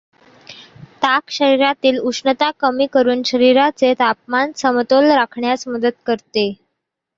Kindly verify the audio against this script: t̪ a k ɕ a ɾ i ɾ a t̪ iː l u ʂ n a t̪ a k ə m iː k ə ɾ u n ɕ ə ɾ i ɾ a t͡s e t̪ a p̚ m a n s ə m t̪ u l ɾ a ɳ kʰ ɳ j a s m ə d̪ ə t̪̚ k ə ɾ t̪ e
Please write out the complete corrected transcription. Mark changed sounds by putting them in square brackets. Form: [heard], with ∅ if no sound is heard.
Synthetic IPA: t̪ a k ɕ [ə] ɾ i ɾ a t̪ iː l u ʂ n [ə] t̪ a k ə m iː k ə ɾ [uː] n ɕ ə ɾ i ɾ a t͡s e t̪ a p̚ m a n s ə m t̪ [o] l ɾ a [∅] kʰ ɳ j a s m ə d̪ ə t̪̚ k ə ɾ t̪ e

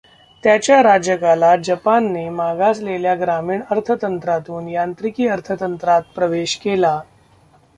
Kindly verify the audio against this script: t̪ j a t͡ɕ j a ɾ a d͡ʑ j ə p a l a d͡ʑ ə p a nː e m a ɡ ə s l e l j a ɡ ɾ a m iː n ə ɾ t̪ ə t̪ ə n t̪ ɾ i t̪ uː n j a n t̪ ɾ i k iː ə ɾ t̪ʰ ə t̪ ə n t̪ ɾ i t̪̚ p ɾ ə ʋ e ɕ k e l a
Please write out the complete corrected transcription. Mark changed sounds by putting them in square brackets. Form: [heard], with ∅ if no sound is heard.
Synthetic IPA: t̪ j a t͡ɕ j a ɾ a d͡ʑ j ə [k] a l a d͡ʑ ə p a nː e m a ɡ [a] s l e l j a ɡ ɾ a m iː [ɳ] ə ɾ [t̪ʰ] ə t̪ ə n t̪ ɾ [a] t̪ uː n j a n t̪ ɾ i k iː ə ɾ t̪ʰ ə t̪ ə n t̪ ɾ [a] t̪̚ p ɾ ə ʋ e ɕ k e l a

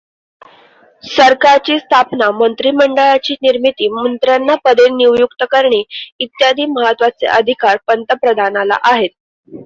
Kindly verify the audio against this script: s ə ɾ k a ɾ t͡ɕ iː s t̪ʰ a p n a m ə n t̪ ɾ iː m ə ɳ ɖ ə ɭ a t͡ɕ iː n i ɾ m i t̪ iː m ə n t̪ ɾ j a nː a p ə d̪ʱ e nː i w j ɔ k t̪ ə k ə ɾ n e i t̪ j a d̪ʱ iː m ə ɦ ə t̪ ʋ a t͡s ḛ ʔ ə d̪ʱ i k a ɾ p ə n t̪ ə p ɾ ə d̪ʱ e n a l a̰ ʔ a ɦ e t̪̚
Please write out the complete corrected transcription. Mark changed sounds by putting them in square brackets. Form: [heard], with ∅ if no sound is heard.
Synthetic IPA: s ə ɾ k a ɾ t͡ɕ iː s t̪ʰ a p n a m ə n t̪ ɾ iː m ə ɳ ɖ ə ɭ a t͡ɕ iː n i ɾ m i t̪ iː m ə n t̪ ɾ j a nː a p ə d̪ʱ e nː i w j [u] k t̪ ə k ə ɾ [ɳ] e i t̪ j a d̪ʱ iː m ə ɦ ə t̪ ʋ a t͡s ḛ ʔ ə d̪ʱ i k a ɾ p ə n t̪ ə p ɾ ə d̪ʱ [a] n a l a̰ ʔ a ɦ e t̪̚

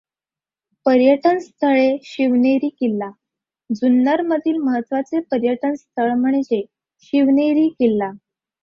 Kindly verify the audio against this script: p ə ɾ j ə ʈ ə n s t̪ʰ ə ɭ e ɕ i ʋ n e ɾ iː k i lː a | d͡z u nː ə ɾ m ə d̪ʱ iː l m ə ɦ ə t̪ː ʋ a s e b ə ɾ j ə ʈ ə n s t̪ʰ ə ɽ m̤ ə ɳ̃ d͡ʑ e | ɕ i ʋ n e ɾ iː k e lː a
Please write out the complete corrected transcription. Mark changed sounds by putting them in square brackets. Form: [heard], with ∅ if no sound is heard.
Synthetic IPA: p ə ɾ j ə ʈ ə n s t̪ʰ ə ɭ e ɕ i ʋ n e ɾ iː k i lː a | d͡z u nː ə ɾ m ə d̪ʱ iː l m ə ɦ ə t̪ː ʋ a [t͡s] e [p] ə ɾ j ə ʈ ə n s t̪ʰ ə [ɭ] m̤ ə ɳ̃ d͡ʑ e | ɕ i ʋ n e ɾ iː k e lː a

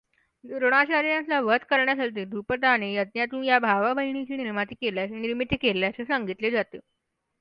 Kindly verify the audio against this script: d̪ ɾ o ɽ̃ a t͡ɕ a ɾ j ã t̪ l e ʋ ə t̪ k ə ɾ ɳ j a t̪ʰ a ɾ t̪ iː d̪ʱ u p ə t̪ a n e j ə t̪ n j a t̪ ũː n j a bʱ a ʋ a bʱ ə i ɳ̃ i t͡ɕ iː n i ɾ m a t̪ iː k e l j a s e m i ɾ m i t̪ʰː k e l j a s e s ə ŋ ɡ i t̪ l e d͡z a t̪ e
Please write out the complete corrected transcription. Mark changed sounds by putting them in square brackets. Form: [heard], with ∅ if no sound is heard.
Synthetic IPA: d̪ ɾ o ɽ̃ a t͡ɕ a ɾ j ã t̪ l [a] ʋ ə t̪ k ə ɾ ɳ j a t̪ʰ a [l] t̪ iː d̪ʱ u p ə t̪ a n e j ə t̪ n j a t̪ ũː n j a bʱ a ʋ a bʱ ə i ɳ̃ i t͡ɕ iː n i ɾ m a t̪ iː k e l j a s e [n] i ɾ m i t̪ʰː k e l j a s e s ə ŋ ɡ i t̪ l e d͡z a t̪ e

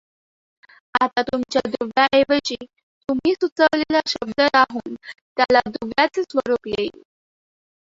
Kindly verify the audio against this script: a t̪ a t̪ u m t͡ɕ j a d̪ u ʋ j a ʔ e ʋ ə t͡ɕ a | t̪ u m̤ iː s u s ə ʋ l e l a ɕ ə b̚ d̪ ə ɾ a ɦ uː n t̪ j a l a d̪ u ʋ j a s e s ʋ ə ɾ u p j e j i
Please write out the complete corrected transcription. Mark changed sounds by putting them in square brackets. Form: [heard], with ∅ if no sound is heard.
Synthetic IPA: a t̪ a t̪ u m t͡ɕ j a d̪ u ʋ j a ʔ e ʋ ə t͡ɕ [i] | t̪ u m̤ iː s u [t͡s] ə ʋ l e l a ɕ ə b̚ d̪ ə ɾ a ɦ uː n t̪ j a l a d̪ u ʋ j a [t͡s] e s ʋ ə ɾ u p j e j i

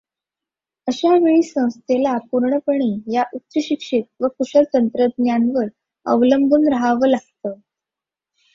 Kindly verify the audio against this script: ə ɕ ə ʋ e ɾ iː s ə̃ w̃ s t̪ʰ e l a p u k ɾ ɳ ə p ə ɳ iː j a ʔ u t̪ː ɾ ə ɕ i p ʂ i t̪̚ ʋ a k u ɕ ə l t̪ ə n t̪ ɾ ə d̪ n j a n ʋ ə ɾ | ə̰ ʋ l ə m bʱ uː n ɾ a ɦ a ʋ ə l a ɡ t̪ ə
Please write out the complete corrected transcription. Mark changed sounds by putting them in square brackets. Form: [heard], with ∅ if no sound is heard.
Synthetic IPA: ə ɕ [a] ʋ e [ɭ] iː s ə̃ w̃ s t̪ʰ e l a p u [∅] ɾ ɳ ə p ə ɳ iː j a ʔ u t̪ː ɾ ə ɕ i [k] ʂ i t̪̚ ʋ [ə] k u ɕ ə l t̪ ə n t̪ ɾ ə d̪ n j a n ʋ ə ɾ | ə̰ ʋ l ə m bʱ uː n ɾ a ɦ a ʋ ə l a ɡ t̪ ə

